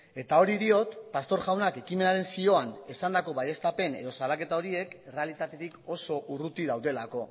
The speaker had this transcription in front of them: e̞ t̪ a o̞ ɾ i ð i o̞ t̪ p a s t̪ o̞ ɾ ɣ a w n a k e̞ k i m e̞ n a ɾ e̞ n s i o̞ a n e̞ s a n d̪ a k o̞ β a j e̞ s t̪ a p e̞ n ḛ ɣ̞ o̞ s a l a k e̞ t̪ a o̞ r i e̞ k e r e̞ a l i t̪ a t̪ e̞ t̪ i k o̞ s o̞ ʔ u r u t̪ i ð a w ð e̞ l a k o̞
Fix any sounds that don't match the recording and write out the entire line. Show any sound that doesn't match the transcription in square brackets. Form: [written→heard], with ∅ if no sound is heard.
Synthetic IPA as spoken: e̞ t̪ a o̞ ɾ i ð i o̞ t̪ p a s t̪ o̞ ɾ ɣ a w n a k e̞ k i m e̞ n a ɾ e̞ n s i o̞ a n e̞ s a n d̪ a k o̞ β a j e̞ s t̪ a p e̞ n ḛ [ɣ̞→ð̞] o̞ s a l a k e̞ t̪ a o̞ [r→ɾ] i e̞ k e r e̞ a l i t̪ a t̪ e̞ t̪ i k o̞ s o̞ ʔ u r u t̪ i ð a w ð e̞ l a k o̞